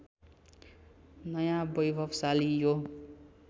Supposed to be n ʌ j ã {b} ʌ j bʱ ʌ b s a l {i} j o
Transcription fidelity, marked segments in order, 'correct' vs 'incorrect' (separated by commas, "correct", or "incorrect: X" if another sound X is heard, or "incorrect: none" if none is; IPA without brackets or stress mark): correct, correct